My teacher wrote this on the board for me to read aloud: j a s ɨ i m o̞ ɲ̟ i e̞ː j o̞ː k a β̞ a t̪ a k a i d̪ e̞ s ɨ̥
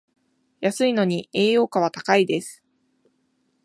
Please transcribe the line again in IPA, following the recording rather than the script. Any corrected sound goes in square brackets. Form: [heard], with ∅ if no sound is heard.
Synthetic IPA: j a s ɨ i [n] o̞ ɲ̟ i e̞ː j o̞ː k a β̞ a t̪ a k a i d̪ e̞ s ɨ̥